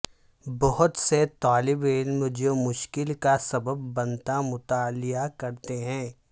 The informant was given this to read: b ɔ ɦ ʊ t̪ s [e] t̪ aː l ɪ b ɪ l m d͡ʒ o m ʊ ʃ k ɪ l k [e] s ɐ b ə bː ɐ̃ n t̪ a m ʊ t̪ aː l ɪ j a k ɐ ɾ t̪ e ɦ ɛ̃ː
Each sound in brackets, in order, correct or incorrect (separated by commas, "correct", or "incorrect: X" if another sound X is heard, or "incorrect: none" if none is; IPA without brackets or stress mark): correct, incorrect: a